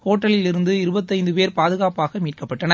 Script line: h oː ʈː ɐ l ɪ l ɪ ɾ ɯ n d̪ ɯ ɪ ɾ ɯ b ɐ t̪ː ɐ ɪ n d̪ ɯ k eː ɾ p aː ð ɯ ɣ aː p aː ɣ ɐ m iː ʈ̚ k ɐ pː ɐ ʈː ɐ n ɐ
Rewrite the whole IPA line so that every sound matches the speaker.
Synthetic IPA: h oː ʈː ɐ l ɪ l ɪ ɾ ɯ n d̪ ɯ ɪ ɾ ɯ b ɐ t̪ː ɐ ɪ n d̪ ɯ p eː ɾ p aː ð ɯ ɣ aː p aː ɣ ɐ m iː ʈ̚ k ɐ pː ɐ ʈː ɐ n ɐ